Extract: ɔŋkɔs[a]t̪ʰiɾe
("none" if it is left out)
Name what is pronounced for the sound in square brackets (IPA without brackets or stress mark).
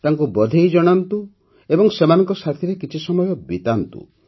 a